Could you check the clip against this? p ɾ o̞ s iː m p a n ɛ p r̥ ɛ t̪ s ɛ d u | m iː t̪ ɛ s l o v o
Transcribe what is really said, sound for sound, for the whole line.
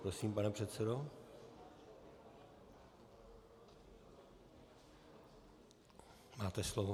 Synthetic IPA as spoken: p ɾ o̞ s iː m p a n ɛ p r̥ ɛ t̪ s ɛ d o | m aː t̪ ɛ s l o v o